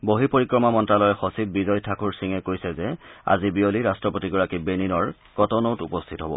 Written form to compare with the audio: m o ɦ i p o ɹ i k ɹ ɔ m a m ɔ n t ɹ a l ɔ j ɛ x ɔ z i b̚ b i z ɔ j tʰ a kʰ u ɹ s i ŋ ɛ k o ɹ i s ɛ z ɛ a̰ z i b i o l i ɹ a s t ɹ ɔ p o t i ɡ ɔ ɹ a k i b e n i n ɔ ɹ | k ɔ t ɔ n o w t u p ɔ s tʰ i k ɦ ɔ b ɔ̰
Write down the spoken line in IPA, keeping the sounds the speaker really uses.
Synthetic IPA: b o ɦ i p o ɹ i k ɹ ɔ m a m ɔ n t ɹ a l ɔ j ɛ x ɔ s i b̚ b i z ɔ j tʰ a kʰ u ɹ s i ŋ ɛ k o ɹ i s ɛ z ɛ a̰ z i b i o l i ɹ a s t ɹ ɔ p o t i ɡ ɔ ɹ a k i b e n i n ɔ ɹ | k ɔ t ɔ n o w t u p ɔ s tʰ i t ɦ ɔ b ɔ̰